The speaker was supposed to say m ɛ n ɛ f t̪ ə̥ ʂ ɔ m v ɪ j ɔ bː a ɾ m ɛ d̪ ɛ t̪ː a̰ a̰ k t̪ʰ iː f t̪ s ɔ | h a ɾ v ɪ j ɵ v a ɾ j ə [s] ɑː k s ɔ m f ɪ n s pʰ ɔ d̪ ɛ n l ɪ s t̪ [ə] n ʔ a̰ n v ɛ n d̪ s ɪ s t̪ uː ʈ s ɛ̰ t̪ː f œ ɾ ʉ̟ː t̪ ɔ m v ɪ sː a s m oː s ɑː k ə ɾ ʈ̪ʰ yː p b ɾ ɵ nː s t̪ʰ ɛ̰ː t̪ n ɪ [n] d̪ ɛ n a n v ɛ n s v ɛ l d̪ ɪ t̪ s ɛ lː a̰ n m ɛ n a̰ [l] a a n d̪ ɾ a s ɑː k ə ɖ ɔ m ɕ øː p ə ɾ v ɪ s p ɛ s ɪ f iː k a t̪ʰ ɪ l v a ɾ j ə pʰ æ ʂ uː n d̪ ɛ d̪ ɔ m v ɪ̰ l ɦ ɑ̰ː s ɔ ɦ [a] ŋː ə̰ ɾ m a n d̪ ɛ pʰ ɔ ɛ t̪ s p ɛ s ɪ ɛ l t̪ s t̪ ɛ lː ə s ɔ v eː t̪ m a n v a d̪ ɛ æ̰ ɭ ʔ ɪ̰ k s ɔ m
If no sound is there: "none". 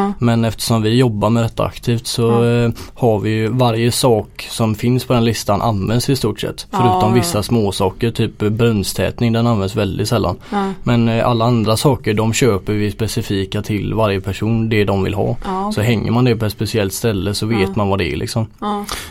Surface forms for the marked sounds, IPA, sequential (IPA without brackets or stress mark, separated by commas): s, a, ŋ, lː, ɛ